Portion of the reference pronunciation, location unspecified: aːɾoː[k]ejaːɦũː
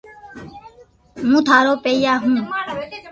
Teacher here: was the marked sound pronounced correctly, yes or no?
no